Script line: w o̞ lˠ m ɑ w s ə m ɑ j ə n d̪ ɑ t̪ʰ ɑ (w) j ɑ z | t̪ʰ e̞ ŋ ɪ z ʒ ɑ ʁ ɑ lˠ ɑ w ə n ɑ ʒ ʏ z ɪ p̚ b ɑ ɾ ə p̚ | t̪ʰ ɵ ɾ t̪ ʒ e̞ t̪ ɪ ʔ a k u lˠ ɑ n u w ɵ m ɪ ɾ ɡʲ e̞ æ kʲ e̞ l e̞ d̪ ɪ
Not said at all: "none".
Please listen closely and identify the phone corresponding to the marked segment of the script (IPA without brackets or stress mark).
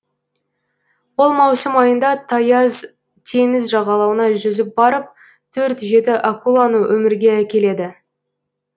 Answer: none